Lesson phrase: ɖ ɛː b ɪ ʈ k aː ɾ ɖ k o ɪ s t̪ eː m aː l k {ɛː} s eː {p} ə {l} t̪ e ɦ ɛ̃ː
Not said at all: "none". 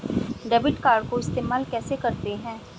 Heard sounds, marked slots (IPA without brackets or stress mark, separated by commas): ɛː, k, ɾ